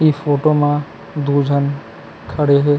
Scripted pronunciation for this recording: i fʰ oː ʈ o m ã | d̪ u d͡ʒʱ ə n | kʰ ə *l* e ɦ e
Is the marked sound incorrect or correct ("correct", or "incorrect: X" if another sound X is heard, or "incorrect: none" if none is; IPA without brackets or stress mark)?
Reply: incorrect: ɽ